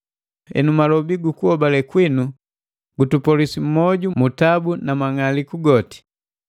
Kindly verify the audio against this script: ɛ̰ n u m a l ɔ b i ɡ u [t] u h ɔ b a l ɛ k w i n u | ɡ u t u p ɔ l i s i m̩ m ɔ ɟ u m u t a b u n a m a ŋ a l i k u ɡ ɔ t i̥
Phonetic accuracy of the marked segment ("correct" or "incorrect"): incorrect